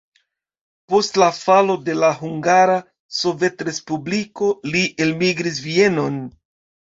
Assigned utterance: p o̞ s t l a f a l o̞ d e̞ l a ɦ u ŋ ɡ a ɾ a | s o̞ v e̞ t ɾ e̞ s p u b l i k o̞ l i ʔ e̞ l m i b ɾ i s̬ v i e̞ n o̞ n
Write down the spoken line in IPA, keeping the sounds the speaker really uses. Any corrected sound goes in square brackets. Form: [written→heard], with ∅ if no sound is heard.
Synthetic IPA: p o̞ s t l a f a l o̞ d e̞ l a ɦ u ŋ ɡ a ɾ a | s o̞ v e̞ t ɾ e̞ s p u b l i k o̞ l i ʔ e̞ l m i [b→ɡ] ɾ i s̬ v i e̞ n o̞ n